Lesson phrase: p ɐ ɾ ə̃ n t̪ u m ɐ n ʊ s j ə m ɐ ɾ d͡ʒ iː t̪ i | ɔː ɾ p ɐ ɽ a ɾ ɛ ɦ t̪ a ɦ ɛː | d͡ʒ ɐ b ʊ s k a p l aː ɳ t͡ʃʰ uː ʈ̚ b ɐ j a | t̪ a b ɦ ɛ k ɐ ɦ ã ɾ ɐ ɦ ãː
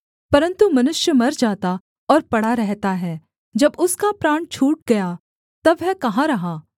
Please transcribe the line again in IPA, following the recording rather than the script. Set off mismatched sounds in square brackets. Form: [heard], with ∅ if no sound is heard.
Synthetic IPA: p ɐ ɾ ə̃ n t̪ u m ɐ n ʊ [ʃ] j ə m ɐ ɾ d͡ʒ [aː] t̪ [a] | ɔː ɾ p ɐ ɽ a ɾ ɛ ɦ t̪ a ɦ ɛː | d͡ʒ ɐ b ʊ s k a p [ɾ] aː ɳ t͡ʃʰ uː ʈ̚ [ɡ] ɐ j a | t̪ [ɐ] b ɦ ɛ k ɐ ɦ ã ɾ ɐ ɦ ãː

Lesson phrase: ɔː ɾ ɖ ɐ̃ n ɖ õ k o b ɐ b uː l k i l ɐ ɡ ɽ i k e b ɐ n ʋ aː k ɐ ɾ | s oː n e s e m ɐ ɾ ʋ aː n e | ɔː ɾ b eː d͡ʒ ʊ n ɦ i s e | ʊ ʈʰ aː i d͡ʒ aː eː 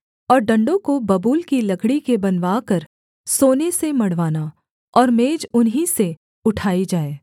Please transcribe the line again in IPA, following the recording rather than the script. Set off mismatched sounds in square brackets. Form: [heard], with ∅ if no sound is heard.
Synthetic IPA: ɔː ɾ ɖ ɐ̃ [ɳ] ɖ õ k o b ɐ b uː l k i l ɐ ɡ ɽ i k e b ɐ n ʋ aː k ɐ ɾ | s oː n e s e m ɐ [ɽ] ʋ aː n [a] | ɔː ɾ [m] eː d͡ʒ ʊ n ɦ i s e | ʊ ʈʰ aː i d͡ʒ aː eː

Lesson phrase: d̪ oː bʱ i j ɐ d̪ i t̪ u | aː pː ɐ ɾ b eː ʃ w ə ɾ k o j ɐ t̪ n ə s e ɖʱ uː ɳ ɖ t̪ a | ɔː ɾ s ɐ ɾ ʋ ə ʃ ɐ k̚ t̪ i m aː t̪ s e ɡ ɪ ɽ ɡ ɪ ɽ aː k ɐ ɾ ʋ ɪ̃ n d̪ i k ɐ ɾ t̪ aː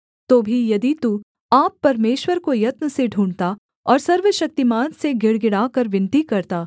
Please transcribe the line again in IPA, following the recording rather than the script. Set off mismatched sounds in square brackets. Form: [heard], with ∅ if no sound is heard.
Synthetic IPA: [t̪] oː bʱ i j ɐ d̪ i t̪ u | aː pː ɐ ɾ [m] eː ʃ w ə ɾ k o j ɐ t̪ n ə s e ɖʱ uː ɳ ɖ t̪ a | ɔː ɾ s ɐ ɾ ʋ ə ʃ ɐ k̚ t̪ i m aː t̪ s e ɡ ɪ ɽ ɡ ɪ ɽ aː k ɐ ɾ ʋ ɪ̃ n [t̪] i k ɐ ɾ t̪ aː

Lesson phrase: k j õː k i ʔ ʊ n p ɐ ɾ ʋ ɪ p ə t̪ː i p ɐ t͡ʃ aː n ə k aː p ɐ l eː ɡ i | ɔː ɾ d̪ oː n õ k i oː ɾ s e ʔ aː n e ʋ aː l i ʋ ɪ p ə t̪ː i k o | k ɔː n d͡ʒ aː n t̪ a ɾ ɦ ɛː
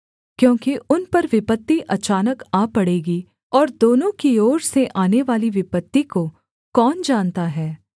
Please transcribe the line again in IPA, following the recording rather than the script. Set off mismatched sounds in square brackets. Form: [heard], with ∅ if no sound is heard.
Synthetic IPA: k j õː k i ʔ ʊ n p ɐ ɾ ʋ ɪ p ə t̪ː i [ʔ] ɐ t͡ʃ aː n ə k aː p ɐ [ɽ] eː ɡ i | ɔː ɾ d̪ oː n õ k i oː ɾ s e ʔ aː n e ʋ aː l i ʋ ɪ p ə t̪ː i k o | k ɔː n d͡ʒ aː n t̪ a [∅] ɦ ɛː

